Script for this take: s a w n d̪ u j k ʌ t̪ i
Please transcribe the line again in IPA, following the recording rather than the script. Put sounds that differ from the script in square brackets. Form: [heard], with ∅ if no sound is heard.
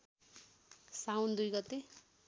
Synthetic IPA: s a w n d̪ u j [ɡ] ʌ t̪ [e]